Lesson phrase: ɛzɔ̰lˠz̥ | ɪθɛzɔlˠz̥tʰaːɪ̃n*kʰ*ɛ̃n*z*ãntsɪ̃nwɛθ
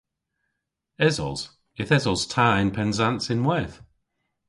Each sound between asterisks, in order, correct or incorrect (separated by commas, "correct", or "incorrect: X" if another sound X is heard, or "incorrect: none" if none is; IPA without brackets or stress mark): incorrect: pʰ, correct